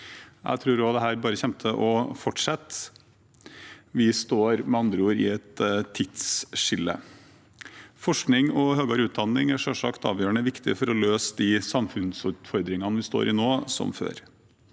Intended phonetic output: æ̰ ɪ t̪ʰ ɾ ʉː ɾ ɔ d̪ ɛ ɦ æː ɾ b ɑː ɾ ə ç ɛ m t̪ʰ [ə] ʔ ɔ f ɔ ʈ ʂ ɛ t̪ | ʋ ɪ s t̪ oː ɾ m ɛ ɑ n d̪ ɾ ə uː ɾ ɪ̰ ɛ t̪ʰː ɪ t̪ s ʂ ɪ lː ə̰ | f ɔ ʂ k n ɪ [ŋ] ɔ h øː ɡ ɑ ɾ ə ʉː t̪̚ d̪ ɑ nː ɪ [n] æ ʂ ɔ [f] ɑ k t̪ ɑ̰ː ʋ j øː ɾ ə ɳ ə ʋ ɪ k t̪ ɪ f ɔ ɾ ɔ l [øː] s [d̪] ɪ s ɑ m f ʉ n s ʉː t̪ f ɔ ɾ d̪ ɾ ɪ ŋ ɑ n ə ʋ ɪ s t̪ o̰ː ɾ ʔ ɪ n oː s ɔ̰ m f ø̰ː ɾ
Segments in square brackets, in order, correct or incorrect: correct, correct, incorrect: ŋ, incorrect: ʂ, correct, correct

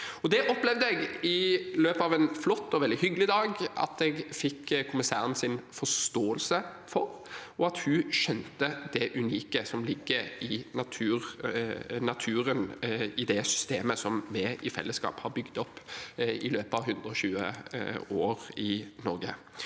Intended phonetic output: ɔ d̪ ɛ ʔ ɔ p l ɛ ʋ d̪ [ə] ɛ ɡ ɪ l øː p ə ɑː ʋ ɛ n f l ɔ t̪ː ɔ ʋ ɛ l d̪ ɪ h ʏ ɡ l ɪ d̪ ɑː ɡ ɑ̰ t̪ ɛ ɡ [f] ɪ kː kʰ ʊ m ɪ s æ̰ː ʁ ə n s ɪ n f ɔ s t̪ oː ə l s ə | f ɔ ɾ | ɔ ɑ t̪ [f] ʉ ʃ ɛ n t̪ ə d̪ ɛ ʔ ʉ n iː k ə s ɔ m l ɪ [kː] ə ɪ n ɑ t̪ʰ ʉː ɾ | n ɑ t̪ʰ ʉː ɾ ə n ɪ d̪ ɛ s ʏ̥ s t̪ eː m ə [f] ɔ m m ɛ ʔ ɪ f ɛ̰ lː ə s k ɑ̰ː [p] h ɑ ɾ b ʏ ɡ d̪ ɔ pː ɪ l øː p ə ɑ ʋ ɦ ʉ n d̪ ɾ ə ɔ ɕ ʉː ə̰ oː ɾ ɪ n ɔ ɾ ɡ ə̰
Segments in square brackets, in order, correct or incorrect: correct, correct, incorrect: h, incorrect: ɡː, incorrect: s, correct

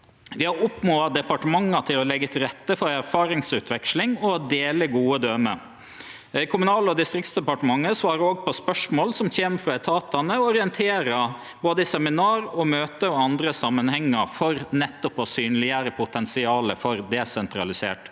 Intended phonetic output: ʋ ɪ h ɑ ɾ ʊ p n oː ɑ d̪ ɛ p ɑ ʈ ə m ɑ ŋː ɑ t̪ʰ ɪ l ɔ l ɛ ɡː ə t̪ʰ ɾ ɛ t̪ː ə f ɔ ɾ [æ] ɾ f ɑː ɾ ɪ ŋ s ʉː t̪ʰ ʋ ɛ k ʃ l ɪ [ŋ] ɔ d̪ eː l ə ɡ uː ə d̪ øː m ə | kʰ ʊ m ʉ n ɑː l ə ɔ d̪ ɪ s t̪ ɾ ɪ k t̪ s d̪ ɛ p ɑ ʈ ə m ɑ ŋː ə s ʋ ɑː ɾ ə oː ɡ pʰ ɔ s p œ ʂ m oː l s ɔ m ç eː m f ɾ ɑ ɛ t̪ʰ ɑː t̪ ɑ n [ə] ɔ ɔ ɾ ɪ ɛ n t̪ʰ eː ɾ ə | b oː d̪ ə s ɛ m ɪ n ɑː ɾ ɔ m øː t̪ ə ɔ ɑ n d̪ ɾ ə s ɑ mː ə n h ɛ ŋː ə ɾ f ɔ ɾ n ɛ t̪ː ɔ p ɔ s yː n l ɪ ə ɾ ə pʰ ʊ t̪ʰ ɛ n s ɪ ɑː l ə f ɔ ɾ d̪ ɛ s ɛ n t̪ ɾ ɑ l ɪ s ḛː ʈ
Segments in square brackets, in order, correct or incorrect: correct, correct, correct

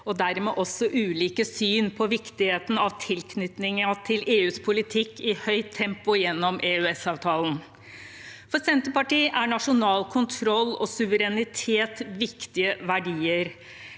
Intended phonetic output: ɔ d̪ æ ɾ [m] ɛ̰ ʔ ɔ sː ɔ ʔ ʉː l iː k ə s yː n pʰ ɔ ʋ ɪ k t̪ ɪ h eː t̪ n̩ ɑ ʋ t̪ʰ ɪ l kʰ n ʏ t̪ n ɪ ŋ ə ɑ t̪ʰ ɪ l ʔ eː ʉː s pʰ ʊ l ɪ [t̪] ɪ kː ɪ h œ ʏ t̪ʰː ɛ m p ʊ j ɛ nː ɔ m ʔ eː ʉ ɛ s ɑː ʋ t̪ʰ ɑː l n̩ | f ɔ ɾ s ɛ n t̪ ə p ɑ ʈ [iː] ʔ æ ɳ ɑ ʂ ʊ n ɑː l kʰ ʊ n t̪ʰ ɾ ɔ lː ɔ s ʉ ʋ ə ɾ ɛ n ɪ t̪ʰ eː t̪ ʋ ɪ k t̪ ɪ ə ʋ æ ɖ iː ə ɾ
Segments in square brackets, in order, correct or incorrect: correct, incorrect: t̪ʰ, correct

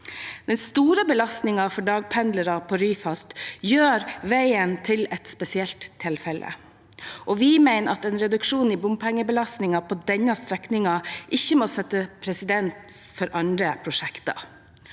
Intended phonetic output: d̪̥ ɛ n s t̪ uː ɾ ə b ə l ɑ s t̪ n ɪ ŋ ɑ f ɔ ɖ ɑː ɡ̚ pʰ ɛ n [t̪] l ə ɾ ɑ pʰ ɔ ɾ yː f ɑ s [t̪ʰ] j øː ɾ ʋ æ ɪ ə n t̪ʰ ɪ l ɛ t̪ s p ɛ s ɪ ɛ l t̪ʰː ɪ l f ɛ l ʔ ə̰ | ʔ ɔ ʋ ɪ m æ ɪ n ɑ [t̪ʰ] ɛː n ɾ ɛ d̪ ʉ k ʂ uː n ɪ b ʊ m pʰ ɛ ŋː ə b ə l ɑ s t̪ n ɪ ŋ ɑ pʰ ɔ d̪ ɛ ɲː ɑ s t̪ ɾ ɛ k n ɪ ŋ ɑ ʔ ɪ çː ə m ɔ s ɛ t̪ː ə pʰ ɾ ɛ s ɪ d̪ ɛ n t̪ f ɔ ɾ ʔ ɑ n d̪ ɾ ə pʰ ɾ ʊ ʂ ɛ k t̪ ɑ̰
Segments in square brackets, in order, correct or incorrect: incorrect: d̪, incorrect: t̪, incorrect: t̪

